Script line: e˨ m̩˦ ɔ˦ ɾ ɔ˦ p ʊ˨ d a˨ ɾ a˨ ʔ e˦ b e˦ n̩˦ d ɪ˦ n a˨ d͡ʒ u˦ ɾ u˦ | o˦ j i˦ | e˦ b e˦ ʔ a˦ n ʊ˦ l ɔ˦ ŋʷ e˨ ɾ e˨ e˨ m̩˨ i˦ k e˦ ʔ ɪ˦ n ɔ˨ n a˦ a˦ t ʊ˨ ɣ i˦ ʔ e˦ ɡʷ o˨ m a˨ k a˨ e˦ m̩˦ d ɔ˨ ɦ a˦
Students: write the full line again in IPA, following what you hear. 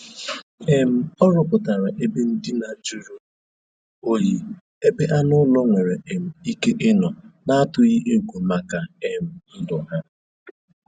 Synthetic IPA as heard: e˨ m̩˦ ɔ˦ ɾ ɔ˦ p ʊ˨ t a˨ ɾ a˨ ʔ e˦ b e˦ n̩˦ d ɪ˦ n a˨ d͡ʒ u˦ ɾ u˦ | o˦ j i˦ | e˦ b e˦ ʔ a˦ n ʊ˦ l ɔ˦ ŋʷ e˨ ɾ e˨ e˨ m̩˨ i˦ k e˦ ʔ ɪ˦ n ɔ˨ n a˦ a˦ t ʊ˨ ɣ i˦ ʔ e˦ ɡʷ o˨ m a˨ k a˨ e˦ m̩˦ d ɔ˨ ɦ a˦